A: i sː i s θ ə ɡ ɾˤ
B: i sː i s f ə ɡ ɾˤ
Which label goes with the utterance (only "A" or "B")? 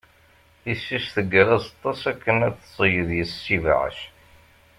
A